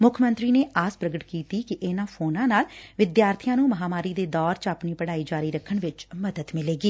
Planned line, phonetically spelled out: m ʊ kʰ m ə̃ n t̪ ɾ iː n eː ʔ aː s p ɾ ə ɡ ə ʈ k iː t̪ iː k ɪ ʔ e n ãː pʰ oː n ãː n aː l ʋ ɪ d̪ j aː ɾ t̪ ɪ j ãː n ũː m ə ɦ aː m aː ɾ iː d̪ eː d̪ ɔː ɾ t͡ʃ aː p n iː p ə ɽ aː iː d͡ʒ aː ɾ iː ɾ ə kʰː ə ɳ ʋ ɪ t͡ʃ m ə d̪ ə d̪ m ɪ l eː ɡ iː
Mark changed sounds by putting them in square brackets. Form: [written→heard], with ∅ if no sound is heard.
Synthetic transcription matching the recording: m ʊ kʰ m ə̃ n t̪ ɾ iː n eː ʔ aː s p ɾ ə ɡ ə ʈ k iː t̪ iː k ɪ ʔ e n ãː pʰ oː n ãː n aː l ʋ ɪ d̪ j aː ɾ [t̪→t̪ʰ] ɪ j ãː n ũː m ə ɦ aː m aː ɾ iː d̪ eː d̪ ɔː ɾ t͡ʃ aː p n iː p ə ɽ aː iː d͡ʒ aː ɾ iː ɾ ə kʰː ə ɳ ʋ ɪ t͡ʃ m ə d̪ ə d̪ m ɪ l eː ɡ iː